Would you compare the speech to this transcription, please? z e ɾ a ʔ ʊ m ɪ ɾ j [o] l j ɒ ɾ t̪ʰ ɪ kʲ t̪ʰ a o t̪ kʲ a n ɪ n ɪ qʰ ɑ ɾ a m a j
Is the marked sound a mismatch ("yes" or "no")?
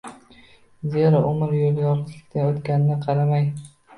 no